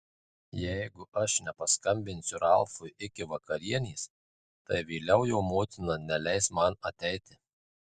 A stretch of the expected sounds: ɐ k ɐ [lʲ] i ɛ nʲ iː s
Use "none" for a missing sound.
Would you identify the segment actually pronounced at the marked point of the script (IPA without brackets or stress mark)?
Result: ɾʲ